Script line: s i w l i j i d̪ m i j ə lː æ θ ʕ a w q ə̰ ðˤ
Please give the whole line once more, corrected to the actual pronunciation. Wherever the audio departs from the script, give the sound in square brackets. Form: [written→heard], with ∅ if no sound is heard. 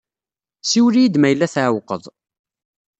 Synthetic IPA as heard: s i w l i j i d̪ m [i→æ] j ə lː æ θ ʕ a w q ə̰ ðˤ